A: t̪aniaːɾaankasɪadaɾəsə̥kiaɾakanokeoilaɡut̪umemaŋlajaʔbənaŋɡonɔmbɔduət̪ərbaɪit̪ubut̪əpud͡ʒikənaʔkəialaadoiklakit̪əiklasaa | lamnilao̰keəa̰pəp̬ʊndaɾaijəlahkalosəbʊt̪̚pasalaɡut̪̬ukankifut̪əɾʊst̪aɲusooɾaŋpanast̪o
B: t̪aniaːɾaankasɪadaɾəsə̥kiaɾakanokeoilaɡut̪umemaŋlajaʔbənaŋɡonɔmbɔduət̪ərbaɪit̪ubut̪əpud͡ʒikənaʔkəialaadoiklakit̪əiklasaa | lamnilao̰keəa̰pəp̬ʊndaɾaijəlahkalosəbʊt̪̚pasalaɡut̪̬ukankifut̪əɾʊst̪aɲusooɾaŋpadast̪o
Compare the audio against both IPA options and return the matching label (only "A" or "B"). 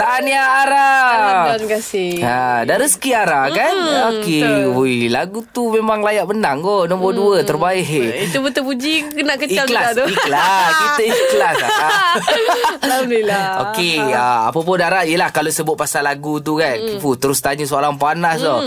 A